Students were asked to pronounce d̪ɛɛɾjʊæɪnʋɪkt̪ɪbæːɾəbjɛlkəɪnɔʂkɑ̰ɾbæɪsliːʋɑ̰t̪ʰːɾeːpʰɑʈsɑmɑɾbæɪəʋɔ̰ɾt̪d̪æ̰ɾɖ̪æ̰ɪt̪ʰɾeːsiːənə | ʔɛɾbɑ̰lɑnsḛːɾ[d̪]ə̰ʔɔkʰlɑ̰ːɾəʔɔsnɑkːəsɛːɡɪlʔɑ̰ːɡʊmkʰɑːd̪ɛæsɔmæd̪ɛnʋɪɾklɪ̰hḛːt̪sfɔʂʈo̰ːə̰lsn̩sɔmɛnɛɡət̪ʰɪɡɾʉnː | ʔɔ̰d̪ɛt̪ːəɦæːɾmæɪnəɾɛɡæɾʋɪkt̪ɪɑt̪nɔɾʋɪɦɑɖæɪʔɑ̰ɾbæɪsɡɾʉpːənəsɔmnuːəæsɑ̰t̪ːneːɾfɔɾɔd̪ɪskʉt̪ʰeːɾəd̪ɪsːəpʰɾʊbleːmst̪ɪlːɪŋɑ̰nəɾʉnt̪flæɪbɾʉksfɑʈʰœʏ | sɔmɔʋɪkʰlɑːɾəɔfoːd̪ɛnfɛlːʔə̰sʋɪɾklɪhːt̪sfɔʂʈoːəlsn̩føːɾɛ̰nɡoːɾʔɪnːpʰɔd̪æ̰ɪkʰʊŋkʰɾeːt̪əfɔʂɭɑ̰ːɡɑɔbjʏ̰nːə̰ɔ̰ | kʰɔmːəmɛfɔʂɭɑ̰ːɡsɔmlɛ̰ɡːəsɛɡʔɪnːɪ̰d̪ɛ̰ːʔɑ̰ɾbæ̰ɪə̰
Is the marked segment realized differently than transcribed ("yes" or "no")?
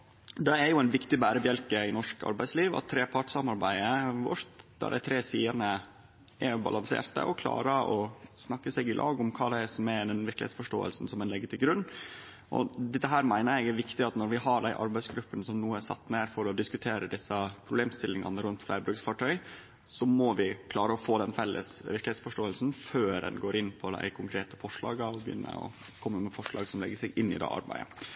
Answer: yes